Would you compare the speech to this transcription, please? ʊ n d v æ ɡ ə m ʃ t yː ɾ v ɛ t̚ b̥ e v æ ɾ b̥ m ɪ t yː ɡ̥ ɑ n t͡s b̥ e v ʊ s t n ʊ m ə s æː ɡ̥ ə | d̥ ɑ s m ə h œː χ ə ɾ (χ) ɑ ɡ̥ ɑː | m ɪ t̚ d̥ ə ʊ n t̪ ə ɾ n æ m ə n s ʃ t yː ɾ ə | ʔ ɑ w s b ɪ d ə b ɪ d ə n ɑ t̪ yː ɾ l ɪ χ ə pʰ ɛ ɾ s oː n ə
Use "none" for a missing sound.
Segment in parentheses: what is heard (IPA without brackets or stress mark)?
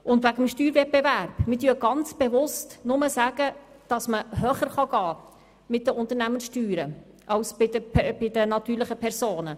χ